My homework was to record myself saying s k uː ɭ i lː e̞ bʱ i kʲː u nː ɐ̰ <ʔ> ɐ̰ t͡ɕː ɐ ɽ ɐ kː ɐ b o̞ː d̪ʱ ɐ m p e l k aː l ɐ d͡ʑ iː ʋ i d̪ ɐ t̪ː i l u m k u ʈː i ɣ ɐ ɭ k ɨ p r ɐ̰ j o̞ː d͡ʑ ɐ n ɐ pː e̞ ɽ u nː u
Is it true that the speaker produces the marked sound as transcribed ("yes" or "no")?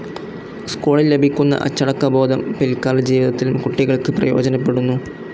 yes